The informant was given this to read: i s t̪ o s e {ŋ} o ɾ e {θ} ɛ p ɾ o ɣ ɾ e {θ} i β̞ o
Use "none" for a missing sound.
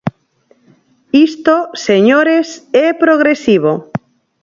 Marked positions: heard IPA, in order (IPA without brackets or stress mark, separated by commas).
ɲ, s, s